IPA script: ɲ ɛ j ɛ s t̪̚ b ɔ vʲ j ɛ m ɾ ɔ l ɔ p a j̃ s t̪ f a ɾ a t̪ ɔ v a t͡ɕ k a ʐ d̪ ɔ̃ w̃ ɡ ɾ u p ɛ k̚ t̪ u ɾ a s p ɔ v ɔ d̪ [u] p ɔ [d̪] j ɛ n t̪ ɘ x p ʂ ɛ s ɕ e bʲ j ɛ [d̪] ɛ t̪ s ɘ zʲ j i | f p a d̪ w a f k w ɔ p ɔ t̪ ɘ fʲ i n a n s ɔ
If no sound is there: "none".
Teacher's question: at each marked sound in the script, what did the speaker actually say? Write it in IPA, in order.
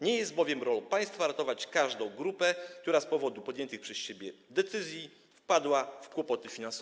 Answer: u, d̪, d̪

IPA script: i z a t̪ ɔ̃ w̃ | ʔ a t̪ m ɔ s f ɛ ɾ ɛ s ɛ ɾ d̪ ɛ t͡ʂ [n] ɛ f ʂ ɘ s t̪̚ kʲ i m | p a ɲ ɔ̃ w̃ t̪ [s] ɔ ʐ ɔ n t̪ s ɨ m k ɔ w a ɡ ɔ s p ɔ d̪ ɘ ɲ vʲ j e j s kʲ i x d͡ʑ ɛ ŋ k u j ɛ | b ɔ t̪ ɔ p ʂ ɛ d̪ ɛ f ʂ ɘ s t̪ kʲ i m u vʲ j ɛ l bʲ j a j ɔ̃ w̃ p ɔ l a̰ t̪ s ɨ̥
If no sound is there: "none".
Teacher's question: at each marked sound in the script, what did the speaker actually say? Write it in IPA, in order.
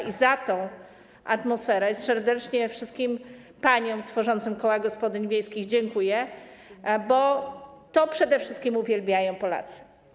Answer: ɲ, f

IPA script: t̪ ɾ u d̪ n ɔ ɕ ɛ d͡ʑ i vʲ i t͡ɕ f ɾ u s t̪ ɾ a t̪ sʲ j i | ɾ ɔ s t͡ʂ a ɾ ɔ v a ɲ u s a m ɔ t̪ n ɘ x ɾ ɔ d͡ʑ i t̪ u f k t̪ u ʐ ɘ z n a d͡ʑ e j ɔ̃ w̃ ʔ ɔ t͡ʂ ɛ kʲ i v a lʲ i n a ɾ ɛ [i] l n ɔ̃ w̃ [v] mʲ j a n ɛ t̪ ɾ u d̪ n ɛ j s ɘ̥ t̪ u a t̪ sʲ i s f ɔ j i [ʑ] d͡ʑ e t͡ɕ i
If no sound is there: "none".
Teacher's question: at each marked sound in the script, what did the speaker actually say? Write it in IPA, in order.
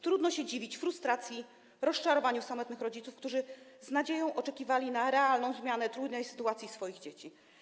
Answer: a, z, ɣ

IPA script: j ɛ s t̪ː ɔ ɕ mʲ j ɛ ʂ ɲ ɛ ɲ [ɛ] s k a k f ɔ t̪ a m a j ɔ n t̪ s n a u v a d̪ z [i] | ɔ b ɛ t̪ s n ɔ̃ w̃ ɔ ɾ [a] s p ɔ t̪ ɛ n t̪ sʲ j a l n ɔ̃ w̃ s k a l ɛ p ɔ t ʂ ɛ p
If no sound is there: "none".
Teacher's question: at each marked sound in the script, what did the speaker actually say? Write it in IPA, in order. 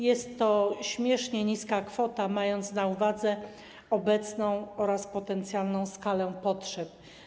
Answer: i, ɛ, a

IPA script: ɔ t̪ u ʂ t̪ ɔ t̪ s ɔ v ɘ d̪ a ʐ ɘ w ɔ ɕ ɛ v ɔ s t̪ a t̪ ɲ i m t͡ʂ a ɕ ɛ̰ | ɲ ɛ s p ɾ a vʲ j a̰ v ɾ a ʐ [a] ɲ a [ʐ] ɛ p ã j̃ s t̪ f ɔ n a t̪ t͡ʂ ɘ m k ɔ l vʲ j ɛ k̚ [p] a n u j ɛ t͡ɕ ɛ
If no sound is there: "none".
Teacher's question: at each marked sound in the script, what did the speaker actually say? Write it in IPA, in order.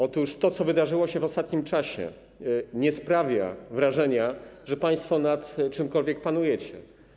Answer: ɛ, ʐ, p

